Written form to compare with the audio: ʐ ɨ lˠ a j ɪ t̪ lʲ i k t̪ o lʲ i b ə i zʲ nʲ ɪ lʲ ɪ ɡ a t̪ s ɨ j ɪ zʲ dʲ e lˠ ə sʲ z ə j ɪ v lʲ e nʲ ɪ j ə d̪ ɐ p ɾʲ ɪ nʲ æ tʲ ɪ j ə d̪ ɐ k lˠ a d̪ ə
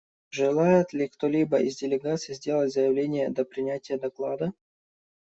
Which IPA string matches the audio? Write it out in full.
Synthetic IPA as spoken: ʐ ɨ lˠ a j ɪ t̪ lʲ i k t̪ o lʲ i b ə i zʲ dʲ ɪ lʲ ɪ ɡ a t̪ s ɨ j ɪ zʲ dʲ e lˠ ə tʲ z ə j ɪ v lʲ e nʲ ɪ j ə d̪ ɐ p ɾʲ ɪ nʲ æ tʲ ɪ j ə d̪ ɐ k lˠ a d̪ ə